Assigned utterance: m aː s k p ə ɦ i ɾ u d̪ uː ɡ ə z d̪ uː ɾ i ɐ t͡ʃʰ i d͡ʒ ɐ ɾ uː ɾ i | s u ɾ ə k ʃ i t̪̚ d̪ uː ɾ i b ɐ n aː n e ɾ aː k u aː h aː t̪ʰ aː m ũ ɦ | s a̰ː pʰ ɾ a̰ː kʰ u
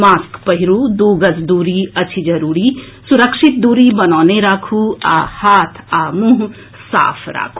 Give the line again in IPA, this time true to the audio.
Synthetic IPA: m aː s k p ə ɦ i ɾ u d̪ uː ɡ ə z d̪ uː ɾ i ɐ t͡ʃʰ i d͡ʒ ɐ ɾ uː ɾ i | s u ɾ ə k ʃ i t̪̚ d̪ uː ɾ i b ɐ n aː n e ɾ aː kʰ u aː h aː t̪ʰ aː m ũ ɦ | s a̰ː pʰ ɾ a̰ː kʰ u